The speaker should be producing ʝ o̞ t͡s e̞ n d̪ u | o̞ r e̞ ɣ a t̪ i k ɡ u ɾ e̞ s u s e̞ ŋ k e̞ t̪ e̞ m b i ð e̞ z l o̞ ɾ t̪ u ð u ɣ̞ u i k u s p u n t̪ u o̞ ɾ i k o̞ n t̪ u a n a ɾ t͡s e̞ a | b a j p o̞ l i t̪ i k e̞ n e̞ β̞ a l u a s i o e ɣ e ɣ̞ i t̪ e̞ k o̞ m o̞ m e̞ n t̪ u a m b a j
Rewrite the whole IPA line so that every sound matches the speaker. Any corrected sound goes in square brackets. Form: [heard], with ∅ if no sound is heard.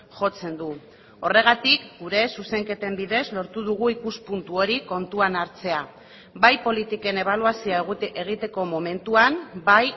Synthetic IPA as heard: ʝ o̞ t͡s e̞ n d̪ u | o̞ r e̞ ɣ a t̪ i k ɡ u ɾ e̞ s u s e̞ ŋ k e̞ t̪ e̞ m b i ð e̞ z l o̞ ɾ t̪ u ð u ɣ̞ u i k u s p u n t̪ u o̞ ɾ i k o̞ n t̪ u a n a ɾ t͡s e̞ a | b a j p o̞ l i t̪ i k e̞ n e̞ β̞ a l u a s i o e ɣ e ɣ̞ i t̪ e̞ k o̞ m o̞ m e̞ n t̪ u a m b a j